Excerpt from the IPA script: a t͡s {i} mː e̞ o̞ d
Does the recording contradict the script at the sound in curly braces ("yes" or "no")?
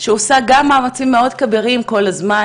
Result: no